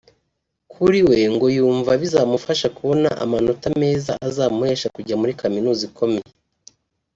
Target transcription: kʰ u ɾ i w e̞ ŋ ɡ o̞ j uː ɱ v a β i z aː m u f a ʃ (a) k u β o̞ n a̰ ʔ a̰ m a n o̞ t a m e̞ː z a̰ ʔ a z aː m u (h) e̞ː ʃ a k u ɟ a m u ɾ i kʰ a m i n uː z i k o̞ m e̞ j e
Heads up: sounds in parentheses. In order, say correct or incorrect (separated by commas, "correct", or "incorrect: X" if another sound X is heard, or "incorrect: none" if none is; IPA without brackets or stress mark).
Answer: correct, correct